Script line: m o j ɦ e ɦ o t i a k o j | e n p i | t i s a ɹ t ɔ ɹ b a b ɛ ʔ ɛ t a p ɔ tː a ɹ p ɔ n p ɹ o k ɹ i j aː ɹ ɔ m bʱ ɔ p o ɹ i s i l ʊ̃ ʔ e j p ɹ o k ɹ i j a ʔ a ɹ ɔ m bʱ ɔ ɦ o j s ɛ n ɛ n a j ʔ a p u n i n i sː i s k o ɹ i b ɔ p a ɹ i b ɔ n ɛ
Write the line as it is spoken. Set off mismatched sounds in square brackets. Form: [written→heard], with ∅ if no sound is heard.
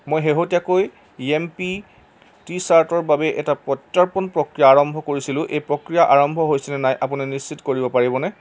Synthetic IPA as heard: m o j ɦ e ɦ o t i a k o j | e [n→m] p i | t i s a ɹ t ɔ ɹ b a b ɛ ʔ ɛ t a p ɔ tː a ɹ p ɔ n p ɹ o k ɹ i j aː ɹ ɔ m bʱ ɔ [p→k] o ɹ i s i l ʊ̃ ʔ e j p ɹ o k ɹ i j a ʔ a ɹ ɔ m bʱ ɔ ɦ o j s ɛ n ɛ n a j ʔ a p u n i n i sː i [s→t] k o ɹ i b ɔ p a ɹ i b ɔ n ɛ